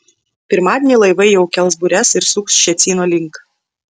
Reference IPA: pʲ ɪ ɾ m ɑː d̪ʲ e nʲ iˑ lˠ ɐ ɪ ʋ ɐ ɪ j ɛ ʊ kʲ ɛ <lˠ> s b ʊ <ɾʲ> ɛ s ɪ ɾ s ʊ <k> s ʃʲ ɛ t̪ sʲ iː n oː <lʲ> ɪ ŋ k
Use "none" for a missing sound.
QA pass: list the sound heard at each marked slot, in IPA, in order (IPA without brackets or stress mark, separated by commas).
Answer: lˠ, ɾʲ, k, lʲ